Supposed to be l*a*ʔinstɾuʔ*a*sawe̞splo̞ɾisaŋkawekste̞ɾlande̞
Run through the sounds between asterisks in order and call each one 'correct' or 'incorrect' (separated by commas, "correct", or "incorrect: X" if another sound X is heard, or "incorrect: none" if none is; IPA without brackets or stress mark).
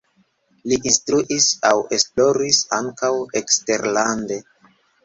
incorrect: i, incorrect: i